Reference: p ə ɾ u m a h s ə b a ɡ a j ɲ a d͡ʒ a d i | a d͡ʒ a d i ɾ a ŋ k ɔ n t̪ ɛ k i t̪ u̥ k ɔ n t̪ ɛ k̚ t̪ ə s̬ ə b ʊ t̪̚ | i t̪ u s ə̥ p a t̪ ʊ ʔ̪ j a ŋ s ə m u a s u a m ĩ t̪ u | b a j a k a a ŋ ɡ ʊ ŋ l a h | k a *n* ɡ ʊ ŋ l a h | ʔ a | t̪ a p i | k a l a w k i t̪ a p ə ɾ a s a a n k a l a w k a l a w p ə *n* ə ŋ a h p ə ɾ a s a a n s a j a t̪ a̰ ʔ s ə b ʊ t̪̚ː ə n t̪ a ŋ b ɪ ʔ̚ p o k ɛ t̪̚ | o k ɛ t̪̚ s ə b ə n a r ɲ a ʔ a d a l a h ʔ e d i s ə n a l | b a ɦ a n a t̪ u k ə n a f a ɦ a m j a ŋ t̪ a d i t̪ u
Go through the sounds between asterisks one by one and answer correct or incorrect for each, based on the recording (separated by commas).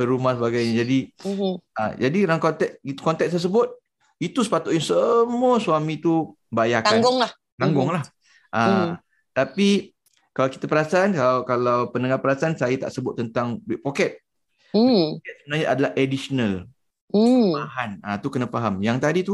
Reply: incorrect, correct